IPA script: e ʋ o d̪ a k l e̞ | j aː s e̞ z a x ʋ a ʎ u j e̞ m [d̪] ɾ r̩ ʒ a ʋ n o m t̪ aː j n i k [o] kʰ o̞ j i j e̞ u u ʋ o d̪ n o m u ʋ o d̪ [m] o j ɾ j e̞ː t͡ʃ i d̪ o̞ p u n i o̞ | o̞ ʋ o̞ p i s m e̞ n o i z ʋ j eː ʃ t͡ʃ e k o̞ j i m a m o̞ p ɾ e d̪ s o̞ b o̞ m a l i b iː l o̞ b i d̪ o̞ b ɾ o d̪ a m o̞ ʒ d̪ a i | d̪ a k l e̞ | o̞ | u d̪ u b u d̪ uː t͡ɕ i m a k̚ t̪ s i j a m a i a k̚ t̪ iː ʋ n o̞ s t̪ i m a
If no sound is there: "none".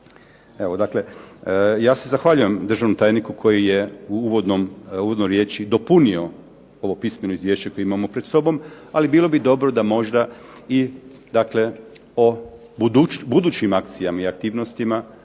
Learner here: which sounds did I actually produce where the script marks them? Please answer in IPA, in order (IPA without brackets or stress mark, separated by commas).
d̪, u, n